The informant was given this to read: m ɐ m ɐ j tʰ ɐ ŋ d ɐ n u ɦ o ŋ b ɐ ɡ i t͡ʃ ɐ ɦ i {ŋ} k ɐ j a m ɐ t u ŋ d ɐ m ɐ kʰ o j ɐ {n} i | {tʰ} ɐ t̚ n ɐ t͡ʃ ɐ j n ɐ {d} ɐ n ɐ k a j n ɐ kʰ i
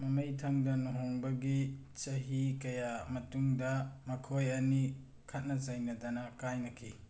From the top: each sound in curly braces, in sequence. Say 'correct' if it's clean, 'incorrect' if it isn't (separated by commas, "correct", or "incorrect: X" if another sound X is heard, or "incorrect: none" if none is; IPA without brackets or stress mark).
incorrect: none, correct, incorrect: kʰ, correct